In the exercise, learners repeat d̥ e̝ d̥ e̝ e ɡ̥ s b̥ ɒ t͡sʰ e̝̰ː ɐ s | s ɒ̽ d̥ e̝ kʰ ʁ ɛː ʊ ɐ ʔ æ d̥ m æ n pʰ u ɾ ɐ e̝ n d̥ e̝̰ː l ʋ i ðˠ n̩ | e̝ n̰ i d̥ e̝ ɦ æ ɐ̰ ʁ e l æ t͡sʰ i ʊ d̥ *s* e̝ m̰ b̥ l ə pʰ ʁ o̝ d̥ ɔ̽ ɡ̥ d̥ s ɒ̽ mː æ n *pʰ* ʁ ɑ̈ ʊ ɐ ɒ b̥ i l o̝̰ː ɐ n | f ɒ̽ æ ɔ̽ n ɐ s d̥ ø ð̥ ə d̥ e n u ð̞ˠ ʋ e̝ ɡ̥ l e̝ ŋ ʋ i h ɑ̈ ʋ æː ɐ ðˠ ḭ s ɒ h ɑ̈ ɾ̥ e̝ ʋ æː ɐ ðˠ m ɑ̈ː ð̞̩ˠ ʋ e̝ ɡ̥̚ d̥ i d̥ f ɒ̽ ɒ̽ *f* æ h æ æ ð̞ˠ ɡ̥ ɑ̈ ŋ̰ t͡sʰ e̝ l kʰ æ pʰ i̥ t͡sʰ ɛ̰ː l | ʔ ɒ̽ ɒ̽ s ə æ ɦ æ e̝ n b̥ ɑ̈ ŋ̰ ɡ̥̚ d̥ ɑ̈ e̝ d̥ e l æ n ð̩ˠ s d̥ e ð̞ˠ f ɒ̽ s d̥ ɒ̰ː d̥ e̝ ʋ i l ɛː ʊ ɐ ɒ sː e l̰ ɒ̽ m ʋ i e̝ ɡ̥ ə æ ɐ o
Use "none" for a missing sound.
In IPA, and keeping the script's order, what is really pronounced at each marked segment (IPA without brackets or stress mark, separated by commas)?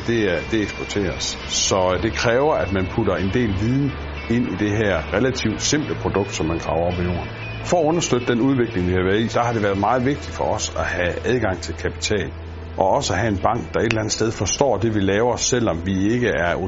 s, kʰ, s